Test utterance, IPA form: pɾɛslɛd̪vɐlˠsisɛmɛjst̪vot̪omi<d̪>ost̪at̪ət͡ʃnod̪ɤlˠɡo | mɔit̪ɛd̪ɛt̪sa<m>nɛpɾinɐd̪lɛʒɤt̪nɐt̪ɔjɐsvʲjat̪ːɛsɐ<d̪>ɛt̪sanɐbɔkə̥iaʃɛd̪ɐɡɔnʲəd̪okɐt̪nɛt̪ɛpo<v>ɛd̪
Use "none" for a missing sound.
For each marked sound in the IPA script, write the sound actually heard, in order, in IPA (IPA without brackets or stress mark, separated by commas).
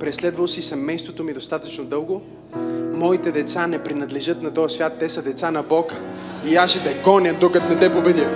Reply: d̪, none, d̪, b